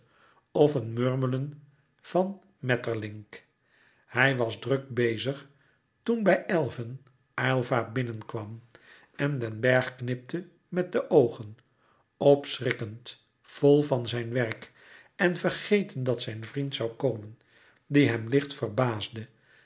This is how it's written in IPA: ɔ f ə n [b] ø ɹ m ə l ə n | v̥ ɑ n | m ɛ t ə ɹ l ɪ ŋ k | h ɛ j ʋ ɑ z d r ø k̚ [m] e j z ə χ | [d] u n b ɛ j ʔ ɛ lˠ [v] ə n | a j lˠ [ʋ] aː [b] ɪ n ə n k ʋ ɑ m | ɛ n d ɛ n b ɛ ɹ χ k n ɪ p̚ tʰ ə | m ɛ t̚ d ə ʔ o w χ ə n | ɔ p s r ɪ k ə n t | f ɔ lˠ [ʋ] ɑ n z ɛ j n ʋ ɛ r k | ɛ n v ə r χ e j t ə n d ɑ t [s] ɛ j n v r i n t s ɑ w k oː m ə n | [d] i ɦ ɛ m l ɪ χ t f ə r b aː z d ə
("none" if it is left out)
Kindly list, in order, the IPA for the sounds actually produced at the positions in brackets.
m, b, t, v, v, b, v, s, d

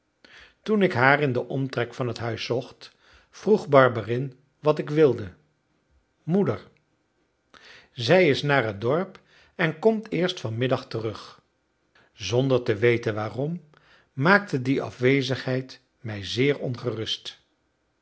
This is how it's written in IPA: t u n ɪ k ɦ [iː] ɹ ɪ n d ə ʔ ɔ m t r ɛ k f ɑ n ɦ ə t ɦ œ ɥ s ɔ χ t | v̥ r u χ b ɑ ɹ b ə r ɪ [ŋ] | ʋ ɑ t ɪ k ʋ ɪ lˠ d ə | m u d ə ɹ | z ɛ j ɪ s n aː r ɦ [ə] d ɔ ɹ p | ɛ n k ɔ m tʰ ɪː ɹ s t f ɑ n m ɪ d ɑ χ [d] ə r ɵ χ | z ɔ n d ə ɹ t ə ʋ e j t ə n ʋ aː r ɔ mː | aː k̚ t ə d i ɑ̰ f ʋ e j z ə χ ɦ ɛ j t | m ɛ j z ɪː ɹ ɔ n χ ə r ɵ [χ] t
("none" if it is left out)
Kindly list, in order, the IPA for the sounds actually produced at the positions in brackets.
aː, n, ə, t, s

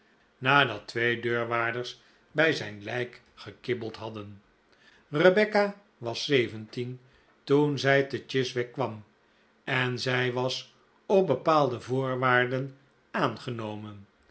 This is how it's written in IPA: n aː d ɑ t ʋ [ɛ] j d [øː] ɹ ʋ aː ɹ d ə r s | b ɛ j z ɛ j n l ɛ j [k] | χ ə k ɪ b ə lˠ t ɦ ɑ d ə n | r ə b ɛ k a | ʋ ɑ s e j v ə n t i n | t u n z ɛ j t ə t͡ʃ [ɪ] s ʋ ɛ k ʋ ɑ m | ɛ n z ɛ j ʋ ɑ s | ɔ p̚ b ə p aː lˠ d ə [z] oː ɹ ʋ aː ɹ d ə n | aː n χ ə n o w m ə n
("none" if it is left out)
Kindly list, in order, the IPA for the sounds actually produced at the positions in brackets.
e, øː, k, ɪ, v

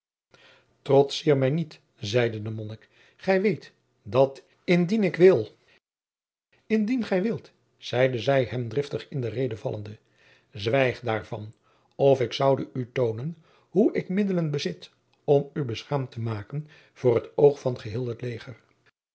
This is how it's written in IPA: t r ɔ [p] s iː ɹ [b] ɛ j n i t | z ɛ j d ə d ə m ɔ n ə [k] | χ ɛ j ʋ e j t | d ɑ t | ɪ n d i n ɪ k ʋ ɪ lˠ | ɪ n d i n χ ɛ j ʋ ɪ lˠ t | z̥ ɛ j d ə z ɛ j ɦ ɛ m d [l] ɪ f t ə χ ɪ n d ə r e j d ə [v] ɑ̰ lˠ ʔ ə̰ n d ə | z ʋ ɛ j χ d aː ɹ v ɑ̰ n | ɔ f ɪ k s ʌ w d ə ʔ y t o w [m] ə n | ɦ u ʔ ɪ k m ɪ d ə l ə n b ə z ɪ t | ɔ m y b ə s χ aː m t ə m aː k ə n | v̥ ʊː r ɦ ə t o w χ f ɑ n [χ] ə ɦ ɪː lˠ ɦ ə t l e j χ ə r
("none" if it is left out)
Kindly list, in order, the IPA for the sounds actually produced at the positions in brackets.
t, m, k, r, v, n, χ

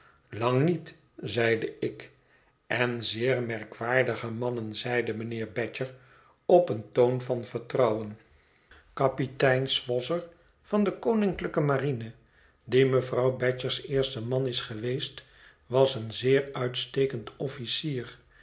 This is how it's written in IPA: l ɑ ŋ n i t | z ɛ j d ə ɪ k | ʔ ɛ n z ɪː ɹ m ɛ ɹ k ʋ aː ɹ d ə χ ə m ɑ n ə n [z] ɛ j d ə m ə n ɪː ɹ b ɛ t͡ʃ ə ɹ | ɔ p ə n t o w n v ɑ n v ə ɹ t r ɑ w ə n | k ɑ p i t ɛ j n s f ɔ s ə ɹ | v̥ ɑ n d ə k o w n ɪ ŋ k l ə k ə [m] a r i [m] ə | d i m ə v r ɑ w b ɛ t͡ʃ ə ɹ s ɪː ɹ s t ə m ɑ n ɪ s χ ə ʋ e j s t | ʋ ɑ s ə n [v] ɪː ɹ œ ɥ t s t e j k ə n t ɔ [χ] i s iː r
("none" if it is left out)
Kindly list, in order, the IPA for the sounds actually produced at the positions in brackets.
z, m, n, z, f

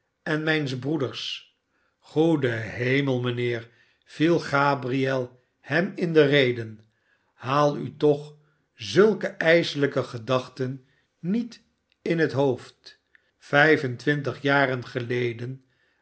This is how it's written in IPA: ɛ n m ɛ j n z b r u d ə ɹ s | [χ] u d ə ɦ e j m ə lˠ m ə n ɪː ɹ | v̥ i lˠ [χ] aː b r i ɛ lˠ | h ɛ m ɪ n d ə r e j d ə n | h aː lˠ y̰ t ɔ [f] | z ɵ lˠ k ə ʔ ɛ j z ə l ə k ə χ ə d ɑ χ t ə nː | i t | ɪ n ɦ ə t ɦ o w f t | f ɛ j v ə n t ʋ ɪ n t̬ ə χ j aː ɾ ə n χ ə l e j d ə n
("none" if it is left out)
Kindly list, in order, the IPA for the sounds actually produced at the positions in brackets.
χ, χ, χ

